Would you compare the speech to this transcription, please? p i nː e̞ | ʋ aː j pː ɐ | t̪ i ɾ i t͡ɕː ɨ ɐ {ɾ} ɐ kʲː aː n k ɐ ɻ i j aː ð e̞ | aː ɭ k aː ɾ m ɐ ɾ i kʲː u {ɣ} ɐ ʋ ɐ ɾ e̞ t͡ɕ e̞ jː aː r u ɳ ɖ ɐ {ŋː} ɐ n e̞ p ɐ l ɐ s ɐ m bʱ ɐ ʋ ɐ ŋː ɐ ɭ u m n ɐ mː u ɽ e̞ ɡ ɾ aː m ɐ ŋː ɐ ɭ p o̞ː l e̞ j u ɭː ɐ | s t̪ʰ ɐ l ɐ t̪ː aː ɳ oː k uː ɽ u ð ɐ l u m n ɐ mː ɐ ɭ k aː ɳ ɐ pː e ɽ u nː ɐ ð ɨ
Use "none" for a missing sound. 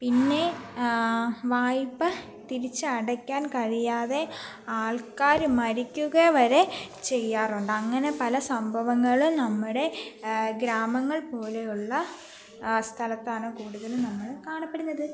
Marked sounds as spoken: ɽ, ɣ, ŋː

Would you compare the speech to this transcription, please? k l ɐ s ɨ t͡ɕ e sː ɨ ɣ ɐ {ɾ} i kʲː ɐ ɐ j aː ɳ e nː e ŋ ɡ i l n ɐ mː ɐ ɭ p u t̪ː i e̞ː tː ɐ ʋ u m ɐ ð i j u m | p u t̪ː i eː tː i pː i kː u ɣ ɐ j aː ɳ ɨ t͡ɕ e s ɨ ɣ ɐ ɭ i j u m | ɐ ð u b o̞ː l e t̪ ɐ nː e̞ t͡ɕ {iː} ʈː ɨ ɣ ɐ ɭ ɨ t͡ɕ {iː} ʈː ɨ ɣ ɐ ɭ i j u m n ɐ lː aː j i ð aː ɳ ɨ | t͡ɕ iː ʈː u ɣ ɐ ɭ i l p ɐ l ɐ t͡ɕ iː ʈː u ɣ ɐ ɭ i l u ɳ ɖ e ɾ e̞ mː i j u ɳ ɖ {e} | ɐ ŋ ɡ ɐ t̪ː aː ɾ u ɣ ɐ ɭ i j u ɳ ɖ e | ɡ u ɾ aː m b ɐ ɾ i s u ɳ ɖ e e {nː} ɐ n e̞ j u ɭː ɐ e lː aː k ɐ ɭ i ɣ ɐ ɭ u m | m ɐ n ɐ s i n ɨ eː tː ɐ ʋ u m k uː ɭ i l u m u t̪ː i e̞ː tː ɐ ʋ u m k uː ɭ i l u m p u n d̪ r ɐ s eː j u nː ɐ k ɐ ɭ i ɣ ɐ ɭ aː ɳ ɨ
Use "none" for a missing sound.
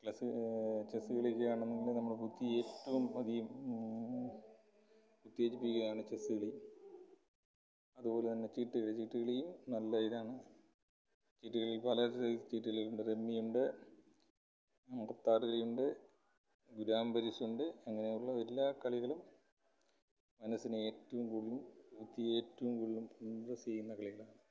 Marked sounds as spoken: ɭ, iː, iː, e, ŋː

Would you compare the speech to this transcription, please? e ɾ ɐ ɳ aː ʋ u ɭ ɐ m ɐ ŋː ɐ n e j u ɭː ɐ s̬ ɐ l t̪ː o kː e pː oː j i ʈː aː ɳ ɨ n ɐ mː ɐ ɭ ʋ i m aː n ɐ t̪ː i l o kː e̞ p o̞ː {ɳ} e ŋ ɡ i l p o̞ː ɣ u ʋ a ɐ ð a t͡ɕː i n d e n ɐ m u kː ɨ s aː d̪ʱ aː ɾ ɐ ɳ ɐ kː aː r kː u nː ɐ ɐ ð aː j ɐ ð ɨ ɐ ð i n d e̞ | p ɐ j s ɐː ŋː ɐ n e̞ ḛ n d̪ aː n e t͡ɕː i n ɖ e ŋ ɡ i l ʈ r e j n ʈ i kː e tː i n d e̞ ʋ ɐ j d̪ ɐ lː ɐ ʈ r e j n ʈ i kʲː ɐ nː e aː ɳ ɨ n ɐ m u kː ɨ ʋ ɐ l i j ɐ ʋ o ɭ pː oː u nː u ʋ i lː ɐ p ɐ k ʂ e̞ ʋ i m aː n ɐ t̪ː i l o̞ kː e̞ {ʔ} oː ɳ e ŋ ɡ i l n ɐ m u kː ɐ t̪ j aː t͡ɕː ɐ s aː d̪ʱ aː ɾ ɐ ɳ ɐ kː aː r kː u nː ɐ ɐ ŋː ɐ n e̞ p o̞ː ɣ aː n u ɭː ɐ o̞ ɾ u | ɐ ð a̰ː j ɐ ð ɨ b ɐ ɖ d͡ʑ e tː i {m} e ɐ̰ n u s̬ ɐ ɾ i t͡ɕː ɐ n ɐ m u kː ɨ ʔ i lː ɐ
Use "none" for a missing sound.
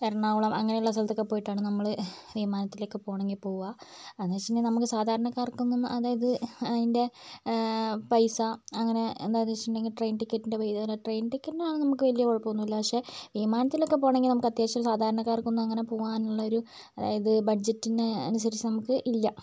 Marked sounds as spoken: ɳ, p, n

